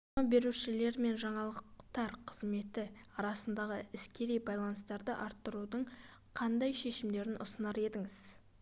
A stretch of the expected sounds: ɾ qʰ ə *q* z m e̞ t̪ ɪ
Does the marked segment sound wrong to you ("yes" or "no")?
yes